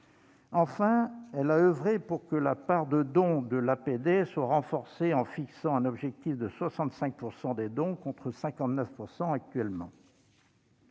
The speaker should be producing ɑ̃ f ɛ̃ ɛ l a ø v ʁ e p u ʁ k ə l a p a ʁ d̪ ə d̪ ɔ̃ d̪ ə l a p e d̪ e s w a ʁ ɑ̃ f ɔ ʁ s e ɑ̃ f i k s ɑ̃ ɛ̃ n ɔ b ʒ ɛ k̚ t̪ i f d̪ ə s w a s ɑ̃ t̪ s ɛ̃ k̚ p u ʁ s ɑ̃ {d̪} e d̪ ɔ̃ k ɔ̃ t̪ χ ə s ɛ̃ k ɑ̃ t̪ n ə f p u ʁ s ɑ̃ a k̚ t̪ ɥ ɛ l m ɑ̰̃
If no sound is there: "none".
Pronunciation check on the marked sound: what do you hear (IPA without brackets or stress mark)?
d̪